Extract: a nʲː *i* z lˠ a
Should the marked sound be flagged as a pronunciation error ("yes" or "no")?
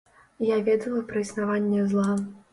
yes